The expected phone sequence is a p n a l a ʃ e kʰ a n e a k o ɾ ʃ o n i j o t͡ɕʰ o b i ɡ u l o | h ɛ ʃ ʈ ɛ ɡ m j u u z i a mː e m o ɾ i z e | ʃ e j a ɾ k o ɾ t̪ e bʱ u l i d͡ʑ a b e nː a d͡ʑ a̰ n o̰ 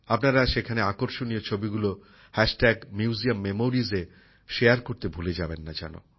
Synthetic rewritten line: a p n a ɾ a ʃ e kʰ a n e a k o ɾ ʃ o n i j o t͡ɕʰ o b i ɡ u l o | h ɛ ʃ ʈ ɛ ɡ m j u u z i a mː e m o ɾ i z e | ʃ e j a ɾ k o ɾ t̪ e bʱ u l e d͡ʑ a b e nː a d͡ʑ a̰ n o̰